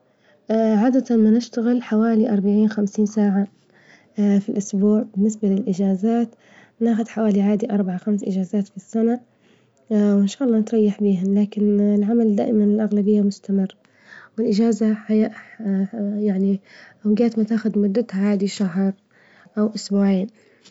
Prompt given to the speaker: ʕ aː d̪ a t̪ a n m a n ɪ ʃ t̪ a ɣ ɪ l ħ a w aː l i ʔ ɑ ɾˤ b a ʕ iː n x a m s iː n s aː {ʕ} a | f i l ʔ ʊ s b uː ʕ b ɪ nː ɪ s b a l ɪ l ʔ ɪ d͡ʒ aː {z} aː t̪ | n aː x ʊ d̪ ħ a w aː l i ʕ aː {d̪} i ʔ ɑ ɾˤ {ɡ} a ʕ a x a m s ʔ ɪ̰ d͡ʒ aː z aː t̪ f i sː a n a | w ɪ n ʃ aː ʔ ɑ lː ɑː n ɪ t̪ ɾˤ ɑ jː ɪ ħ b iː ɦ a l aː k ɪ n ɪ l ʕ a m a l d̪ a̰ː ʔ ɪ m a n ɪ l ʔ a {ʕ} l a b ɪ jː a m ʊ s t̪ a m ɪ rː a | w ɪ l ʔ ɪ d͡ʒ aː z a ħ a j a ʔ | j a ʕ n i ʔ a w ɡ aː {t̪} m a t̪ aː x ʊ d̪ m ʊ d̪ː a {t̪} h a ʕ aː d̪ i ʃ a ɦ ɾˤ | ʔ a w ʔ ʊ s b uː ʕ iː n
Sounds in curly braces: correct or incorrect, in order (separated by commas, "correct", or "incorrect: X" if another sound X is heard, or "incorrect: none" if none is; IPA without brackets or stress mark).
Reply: correct, correct, correct, incorrect: b, incorrect: ɣ, correct, correct